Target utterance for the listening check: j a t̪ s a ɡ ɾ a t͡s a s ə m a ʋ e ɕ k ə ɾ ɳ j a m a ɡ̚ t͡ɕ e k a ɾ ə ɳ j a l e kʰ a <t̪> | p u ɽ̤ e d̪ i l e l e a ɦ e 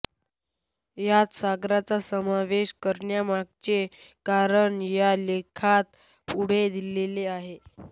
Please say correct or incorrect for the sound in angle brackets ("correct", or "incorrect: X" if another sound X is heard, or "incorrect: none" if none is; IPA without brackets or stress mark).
correct